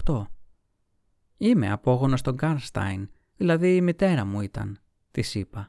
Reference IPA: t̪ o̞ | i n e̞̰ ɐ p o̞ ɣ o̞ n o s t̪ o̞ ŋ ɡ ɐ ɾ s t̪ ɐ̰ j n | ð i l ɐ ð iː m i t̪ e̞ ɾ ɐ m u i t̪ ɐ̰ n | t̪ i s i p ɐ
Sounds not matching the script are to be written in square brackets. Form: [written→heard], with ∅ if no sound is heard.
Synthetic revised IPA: t̪ o̞ | i [n→m] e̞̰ ɐ p o̞ ɣ o̞ n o s t̪ o̞ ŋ ɡ ɐ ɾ s t̪ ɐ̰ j n | ð i l ɐ ð iː m i t̪ e̞ ɾ ɐ m u i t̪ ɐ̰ n | t̪ i s i p ɐ